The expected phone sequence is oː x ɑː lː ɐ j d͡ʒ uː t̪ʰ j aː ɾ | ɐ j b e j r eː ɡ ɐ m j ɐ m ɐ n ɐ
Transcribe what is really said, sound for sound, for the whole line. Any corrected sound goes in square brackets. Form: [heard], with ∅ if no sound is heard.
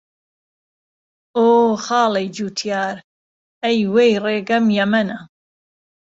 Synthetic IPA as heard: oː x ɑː [l] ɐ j d͡ʒ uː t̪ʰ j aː ɾ | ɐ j [w] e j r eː ɡ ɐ m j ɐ m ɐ n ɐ